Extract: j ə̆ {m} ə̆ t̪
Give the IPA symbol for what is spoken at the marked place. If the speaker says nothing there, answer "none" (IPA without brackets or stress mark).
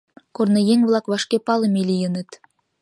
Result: n